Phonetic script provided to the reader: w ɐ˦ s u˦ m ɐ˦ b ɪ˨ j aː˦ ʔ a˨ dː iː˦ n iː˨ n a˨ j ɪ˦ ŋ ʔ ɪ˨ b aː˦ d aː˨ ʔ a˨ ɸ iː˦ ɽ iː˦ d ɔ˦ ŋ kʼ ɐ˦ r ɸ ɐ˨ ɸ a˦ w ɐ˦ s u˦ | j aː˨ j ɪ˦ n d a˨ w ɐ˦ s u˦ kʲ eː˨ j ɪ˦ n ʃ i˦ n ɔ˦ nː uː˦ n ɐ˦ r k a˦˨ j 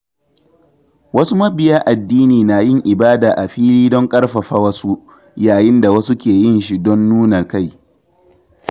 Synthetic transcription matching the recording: w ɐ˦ s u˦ m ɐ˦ b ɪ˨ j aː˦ ʔ a˨ dː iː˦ n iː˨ n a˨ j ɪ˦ ŋ ʔ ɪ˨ b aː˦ d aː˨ ʔ a˨ ɸ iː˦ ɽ iː˦ d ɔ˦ ŋ kʼ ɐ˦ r ɸ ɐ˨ ɸ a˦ w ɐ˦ s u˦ | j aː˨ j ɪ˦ n d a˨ w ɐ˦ s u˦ kʲ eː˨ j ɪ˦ n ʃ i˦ d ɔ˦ nː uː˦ n ɐ˨ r k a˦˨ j